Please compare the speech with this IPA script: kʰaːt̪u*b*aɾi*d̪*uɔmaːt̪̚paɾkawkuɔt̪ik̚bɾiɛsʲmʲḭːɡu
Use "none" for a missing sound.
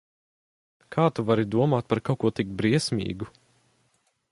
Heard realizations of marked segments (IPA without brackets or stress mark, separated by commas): v, d̪